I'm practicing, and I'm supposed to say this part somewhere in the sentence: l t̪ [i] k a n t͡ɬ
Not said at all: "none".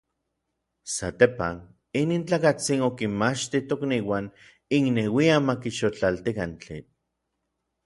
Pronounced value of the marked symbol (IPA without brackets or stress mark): i